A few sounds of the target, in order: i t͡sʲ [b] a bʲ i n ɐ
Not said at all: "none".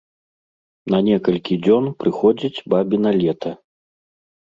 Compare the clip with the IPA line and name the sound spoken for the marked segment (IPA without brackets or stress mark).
b